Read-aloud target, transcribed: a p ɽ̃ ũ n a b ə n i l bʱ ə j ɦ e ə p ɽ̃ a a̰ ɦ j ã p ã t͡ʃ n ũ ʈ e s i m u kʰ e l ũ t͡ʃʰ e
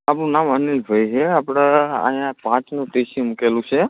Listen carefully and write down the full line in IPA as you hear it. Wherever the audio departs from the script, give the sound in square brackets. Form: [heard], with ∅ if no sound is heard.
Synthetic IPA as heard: a p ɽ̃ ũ n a [m] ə n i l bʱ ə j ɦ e [a] p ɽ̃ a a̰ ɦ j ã p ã t͡ʃ n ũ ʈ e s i m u [k] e l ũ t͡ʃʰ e